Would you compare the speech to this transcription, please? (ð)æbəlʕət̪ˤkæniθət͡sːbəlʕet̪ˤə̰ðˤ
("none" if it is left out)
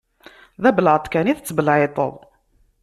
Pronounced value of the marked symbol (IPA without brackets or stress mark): ð